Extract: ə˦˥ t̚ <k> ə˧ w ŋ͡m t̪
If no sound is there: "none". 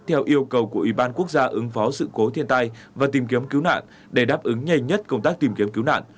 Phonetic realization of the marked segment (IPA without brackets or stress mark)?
k